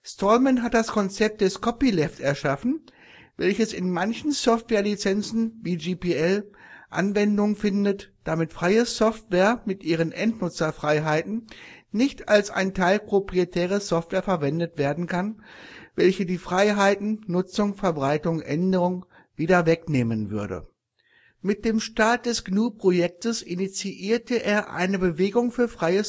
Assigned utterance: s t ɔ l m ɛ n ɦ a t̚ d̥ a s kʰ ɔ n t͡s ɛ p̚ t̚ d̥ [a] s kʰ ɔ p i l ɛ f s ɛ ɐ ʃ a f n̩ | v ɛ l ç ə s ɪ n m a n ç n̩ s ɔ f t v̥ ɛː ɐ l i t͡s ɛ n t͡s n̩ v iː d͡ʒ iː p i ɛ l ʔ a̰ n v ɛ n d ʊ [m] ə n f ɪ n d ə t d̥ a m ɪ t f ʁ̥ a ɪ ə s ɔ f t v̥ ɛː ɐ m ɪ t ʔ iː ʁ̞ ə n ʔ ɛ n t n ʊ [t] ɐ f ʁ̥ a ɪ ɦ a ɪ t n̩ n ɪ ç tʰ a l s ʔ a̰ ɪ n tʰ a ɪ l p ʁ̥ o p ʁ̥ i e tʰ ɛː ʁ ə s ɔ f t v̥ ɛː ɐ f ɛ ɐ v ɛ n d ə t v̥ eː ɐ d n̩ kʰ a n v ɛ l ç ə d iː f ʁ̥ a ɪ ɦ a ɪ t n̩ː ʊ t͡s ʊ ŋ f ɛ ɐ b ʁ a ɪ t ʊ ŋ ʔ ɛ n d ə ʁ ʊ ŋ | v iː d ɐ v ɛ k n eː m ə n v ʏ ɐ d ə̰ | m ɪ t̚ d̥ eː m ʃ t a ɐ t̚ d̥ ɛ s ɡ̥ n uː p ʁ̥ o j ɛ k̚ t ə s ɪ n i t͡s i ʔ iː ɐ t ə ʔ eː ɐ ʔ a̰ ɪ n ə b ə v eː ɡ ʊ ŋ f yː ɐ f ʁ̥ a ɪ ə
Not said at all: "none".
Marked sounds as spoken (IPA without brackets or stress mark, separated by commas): ɛ, ŋ, t͡s